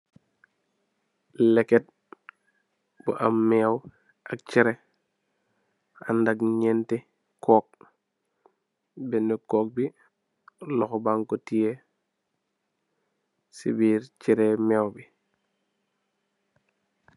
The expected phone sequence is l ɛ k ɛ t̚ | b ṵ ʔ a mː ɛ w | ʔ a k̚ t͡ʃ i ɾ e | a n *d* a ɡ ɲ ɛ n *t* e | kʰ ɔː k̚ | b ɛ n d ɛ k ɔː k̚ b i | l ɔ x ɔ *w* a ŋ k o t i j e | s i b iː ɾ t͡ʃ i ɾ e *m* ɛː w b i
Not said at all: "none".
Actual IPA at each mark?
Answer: d, t, b, m

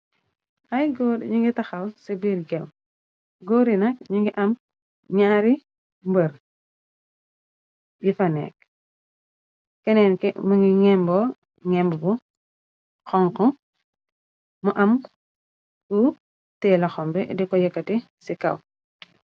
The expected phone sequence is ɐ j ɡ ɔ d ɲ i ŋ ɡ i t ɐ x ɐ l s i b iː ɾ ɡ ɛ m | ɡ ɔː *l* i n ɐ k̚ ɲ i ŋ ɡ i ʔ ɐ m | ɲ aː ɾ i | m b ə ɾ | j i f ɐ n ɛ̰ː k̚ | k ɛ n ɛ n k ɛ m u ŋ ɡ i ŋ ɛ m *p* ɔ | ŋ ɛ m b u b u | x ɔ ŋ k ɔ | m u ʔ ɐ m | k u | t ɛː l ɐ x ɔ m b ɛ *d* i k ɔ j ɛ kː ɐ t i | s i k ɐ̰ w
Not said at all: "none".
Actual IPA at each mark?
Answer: ɾ, b, d

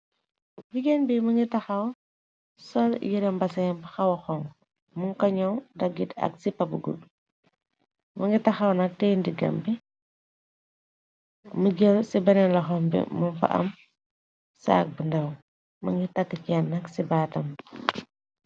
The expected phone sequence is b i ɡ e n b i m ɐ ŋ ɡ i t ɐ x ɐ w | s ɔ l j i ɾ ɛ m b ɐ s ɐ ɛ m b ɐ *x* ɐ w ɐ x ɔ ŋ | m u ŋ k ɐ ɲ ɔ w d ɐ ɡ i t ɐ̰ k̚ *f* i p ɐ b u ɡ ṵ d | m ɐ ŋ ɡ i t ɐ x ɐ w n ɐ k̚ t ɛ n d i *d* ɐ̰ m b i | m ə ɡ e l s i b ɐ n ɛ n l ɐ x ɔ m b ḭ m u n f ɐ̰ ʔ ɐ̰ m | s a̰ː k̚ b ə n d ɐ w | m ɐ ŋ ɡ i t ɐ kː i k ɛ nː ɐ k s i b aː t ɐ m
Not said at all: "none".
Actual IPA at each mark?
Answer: x, s, ɡ

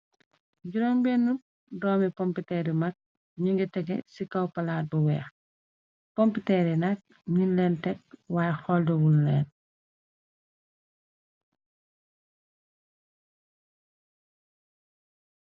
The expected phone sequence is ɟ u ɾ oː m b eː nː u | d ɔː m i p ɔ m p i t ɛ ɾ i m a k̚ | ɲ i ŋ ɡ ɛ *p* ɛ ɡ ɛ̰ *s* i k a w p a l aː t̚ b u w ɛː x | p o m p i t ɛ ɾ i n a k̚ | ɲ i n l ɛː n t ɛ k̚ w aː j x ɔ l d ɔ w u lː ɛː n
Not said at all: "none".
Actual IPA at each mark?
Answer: t, s

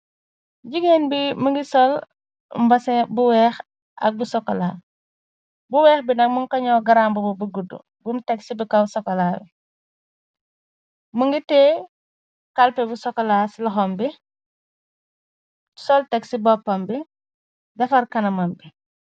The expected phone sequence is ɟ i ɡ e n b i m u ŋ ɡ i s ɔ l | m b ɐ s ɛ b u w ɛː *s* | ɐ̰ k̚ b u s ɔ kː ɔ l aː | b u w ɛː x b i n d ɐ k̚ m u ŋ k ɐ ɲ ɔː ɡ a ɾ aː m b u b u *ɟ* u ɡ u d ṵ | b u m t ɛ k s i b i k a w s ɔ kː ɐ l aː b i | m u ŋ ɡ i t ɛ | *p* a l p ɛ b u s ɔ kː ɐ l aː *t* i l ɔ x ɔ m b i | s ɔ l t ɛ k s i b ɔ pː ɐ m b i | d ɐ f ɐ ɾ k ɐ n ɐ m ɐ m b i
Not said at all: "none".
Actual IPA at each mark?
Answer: x, b, k, s

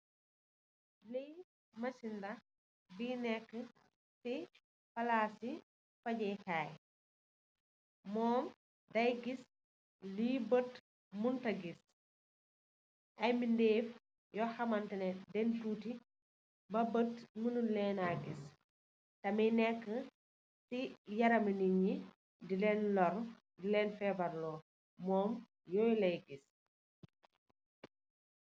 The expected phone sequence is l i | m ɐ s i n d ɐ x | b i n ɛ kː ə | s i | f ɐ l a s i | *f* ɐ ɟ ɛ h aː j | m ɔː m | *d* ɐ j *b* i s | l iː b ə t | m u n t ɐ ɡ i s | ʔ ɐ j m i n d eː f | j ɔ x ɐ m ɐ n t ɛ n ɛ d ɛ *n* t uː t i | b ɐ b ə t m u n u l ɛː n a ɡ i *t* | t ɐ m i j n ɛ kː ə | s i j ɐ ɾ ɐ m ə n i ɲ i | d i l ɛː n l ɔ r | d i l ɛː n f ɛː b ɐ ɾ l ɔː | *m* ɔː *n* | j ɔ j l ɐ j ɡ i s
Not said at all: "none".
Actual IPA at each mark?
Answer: f, d, ɡ, n, s, m, m

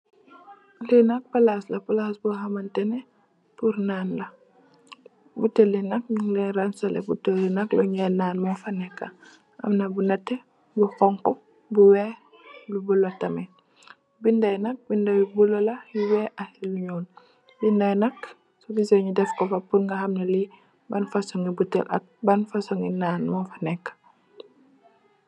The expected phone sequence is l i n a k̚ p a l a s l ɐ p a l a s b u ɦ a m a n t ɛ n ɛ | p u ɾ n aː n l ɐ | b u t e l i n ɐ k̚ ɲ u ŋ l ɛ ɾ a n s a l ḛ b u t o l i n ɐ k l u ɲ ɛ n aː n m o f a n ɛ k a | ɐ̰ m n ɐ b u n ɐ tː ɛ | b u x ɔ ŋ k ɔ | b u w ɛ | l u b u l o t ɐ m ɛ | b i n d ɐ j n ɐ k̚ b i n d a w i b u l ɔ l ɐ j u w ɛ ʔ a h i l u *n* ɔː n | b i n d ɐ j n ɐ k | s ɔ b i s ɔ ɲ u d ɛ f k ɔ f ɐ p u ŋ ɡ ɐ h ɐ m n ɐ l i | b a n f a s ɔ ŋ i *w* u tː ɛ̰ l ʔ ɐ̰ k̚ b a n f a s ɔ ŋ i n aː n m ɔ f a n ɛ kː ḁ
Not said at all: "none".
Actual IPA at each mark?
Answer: ɲ, b

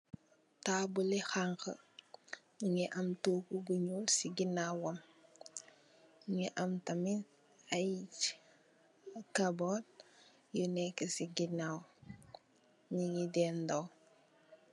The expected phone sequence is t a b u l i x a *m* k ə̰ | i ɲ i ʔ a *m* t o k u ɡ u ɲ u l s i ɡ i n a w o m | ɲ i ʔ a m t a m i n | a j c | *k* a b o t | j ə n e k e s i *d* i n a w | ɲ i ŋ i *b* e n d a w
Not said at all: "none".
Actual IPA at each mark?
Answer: ŋ, m, k, ɡ, d

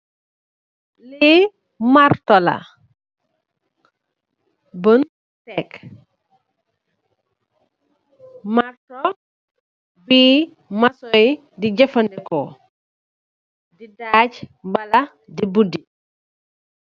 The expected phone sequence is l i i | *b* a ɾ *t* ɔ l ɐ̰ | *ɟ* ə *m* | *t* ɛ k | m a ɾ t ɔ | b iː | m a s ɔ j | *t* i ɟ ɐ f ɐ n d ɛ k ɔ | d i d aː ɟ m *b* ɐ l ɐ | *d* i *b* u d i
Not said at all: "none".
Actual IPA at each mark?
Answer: m, t, b, n, t, d, b, d, b

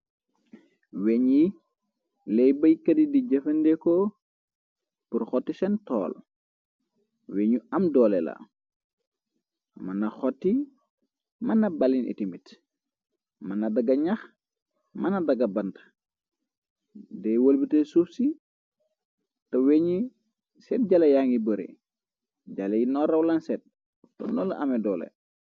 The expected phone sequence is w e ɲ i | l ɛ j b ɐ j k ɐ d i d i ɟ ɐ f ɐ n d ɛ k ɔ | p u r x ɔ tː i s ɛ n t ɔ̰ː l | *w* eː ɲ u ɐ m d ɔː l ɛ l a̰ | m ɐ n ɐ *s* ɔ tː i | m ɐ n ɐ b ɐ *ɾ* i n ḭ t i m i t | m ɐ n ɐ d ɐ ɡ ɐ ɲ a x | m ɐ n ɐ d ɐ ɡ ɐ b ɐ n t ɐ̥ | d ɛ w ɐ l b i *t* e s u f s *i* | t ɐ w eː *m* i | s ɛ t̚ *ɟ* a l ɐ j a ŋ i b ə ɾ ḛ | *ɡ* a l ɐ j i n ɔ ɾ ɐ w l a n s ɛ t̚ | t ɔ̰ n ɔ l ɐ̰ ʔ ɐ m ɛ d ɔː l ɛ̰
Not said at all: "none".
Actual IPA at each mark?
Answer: w, x, l, t, i, ɲ, ɟ, ɟ

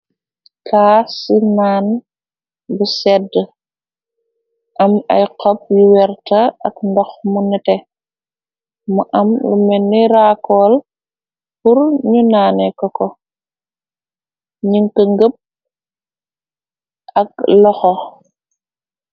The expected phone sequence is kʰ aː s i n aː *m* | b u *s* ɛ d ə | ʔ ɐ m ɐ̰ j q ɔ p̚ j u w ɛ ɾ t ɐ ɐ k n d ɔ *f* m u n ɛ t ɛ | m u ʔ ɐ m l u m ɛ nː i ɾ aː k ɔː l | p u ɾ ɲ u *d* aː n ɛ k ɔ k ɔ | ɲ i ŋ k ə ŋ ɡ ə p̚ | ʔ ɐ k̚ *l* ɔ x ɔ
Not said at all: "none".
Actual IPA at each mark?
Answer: n, s, x, n, l

